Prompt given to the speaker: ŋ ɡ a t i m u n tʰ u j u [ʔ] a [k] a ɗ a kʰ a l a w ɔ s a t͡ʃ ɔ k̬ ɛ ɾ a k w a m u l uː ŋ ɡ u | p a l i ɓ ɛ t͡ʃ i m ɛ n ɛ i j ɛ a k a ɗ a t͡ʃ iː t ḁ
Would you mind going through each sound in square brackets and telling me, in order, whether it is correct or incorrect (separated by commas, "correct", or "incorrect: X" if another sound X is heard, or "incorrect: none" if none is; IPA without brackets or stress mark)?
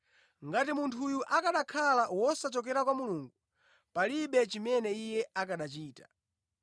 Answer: correct, correct